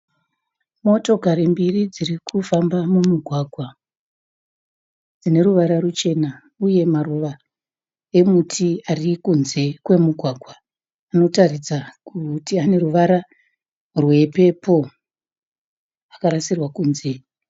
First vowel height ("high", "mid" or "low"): mid